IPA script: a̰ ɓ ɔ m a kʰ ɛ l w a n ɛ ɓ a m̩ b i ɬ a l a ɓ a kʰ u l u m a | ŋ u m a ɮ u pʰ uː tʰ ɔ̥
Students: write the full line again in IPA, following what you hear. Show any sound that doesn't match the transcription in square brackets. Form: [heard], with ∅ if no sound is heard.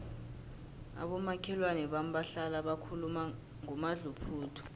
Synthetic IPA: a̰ ɓ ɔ m a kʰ ɛ l w a n ɛ ɓ a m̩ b [a] ɬ a l a ɓ a kʰ u l u m a | ŋ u m a ɮ u pʰ uː tʰ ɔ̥